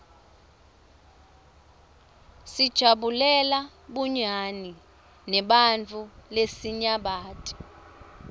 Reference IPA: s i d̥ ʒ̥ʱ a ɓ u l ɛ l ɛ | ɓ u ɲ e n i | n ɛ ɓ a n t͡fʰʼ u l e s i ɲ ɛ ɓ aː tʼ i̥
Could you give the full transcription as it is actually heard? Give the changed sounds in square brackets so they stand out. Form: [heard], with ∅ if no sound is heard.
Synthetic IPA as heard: s i d̥ ʒ̥ʱ a ɓ u l ɛ l [a] | ɓ u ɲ [a] n i | n ɛ ɓ a n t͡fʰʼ u l e s i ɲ [a] ɓ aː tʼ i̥